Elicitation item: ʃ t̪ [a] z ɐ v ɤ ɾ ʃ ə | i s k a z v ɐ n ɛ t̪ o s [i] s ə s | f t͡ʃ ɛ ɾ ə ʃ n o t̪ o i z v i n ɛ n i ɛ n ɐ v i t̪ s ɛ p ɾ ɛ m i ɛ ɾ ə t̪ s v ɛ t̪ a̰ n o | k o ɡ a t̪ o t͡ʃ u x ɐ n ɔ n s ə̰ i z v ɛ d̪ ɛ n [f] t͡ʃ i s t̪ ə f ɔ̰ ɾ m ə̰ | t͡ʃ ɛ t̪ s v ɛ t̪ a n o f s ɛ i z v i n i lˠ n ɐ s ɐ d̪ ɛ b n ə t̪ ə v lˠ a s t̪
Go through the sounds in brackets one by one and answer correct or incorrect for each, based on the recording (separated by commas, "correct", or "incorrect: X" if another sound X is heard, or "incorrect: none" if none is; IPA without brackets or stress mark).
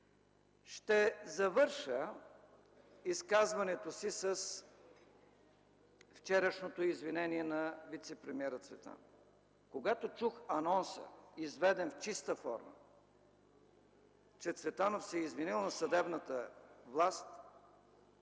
incorrect: ɛ, correct, correct